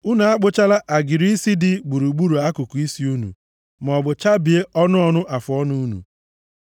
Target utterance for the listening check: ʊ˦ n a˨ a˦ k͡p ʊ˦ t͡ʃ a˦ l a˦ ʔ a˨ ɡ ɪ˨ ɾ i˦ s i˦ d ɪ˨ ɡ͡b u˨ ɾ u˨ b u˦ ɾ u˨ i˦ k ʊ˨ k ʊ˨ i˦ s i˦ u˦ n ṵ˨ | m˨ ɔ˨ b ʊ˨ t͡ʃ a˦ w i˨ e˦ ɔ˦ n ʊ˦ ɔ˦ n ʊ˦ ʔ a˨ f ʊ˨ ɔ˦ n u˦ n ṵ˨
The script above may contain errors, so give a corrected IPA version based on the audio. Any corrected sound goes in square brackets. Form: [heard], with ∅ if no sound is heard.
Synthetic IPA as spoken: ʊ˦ n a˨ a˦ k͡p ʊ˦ t͡ʃ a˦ l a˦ ʔ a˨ ɡ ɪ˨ ɾ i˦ s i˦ d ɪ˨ ɡ͡b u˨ ɾ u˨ [ɡ͡b] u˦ ɾ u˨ [a˦] k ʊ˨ k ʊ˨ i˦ s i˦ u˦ n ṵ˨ | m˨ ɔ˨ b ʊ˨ t͡ʃ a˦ [b] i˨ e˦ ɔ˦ n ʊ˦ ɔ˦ n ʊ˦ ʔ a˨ f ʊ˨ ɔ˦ n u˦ n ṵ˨